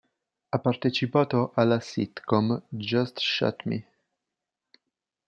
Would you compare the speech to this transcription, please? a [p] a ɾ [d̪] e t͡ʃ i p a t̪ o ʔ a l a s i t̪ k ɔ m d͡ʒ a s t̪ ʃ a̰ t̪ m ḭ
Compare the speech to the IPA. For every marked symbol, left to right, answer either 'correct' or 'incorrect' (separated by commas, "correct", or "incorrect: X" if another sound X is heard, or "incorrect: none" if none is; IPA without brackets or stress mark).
correct, incorrect: t̪